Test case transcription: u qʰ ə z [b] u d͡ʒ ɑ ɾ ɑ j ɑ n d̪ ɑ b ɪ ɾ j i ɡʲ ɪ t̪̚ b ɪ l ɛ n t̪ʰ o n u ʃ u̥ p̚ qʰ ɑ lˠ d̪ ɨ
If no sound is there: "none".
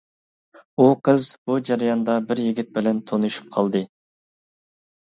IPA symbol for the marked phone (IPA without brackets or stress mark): b